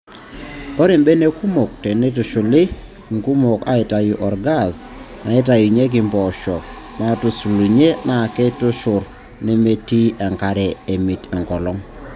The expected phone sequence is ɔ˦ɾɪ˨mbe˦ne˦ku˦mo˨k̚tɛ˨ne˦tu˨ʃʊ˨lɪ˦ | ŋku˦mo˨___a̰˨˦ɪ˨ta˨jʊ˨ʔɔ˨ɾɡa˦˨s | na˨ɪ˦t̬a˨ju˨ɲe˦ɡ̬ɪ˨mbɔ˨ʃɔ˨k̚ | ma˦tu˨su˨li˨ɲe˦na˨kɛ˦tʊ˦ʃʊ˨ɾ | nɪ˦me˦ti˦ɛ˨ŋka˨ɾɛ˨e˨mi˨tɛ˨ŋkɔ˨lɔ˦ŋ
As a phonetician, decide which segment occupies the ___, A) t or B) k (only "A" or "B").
B